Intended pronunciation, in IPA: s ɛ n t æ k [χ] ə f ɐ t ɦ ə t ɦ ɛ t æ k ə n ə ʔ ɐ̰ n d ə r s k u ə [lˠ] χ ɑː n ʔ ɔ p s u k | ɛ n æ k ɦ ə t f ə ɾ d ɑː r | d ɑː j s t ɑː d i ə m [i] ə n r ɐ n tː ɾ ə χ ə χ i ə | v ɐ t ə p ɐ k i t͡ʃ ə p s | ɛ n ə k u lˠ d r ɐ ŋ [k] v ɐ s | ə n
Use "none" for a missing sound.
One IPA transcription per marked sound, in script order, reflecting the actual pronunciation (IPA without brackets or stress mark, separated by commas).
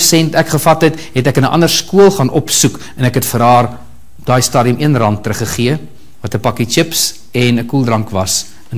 χ, lˠ, i, k